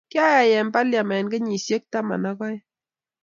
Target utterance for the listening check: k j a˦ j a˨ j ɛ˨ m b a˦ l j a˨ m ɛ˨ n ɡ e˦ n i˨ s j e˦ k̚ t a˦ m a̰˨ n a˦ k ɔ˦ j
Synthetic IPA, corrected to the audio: k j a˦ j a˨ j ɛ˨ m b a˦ l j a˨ m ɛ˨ n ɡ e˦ ɲ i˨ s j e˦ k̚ t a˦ m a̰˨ n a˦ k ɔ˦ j